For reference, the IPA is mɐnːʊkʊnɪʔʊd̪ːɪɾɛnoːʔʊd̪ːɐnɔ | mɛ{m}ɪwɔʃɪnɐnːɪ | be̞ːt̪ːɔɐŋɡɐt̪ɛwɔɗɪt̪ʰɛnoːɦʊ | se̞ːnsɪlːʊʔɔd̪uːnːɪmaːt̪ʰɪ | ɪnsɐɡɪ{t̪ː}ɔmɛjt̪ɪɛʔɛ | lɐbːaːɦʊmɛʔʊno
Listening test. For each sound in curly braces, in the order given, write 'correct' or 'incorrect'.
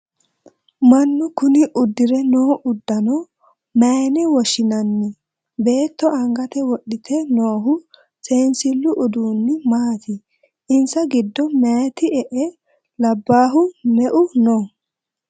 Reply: incorrect, incorrect

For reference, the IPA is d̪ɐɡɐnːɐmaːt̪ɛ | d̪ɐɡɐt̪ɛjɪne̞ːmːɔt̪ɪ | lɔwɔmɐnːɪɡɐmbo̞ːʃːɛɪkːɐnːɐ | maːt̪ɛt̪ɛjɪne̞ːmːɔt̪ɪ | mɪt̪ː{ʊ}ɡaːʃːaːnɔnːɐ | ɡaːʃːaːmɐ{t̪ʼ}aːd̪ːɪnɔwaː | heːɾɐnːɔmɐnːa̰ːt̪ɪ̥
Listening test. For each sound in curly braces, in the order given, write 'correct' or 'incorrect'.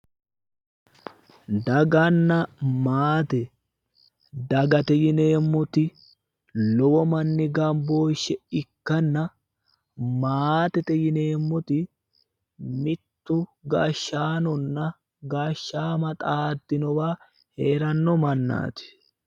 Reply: correct, correct

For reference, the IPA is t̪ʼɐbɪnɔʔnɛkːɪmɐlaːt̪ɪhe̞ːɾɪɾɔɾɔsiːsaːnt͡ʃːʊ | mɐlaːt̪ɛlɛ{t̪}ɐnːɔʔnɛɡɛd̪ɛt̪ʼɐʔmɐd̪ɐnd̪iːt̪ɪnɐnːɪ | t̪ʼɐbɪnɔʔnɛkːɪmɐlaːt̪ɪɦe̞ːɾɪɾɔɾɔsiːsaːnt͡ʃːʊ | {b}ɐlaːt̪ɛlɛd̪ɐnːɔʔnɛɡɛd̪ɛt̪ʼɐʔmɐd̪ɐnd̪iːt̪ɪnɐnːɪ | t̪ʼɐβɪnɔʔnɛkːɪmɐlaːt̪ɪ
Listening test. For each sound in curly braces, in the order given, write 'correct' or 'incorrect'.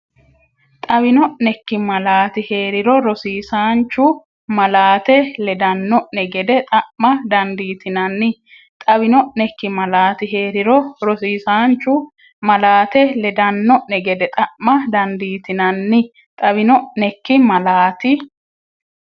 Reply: incorrect, incorrect

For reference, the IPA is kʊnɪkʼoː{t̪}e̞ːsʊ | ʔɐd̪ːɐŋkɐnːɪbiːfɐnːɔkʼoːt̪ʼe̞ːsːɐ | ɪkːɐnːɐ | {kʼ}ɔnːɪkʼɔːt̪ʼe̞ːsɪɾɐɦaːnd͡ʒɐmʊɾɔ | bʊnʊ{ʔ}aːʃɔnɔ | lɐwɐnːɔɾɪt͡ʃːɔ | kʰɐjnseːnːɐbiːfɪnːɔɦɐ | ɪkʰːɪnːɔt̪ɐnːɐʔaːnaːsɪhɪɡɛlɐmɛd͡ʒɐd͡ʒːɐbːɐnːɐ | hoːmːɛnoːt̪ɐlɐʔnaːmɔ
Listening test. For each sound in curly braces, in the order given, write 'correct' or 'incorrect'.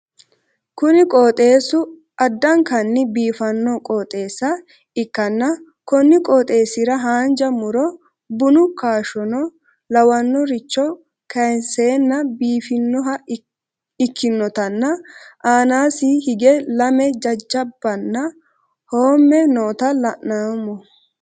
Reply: incorrect, incorrect, incorrect

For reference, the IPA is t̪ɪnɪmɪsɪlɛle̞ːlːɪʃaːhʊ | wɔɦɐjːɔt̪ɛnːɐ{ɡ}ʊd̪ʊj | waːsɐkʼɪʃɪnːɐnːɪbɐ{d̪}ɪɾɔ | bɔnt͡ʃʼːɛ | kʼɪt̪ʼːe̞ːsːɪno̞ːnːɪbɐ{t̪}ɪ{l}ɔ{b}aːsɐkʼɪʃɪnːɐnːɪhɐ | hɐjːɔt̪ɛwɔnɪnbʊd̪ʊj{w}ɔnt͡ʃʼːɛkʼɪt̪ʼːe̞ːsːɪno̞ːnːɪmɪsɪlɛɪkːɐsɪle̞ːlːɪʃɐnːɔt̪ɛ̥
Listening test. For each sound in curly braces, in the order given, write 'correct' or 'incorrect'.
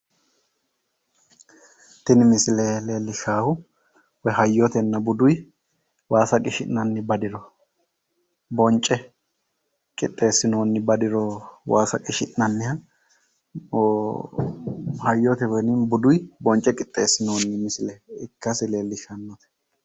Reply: incorrect, correct, incorrect, incorrect, incorrect, incorrect

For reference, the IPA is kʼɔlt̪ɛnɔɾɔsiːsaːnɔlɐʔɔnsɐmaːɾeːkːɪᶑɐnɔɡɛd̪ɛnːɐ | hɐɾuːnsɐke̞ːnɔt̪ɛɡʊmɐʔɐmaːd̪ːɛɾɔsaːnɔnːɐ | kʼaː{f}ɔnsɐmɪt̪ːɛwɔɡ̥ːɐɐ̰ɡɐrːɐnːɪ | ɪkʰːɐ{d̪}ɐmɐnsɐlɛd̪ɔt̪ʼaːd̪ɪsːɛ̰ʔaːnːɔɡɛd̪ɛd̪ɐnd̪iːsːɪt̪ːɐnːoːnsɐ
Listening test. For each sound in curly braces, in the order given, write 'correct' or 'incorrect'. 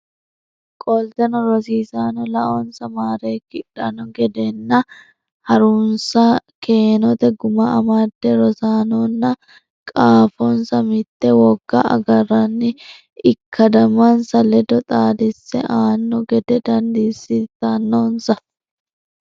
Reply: correct, correct

